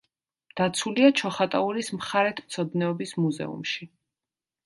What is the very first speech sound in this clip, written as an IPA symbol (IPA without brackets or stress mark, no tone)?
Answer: d̪̥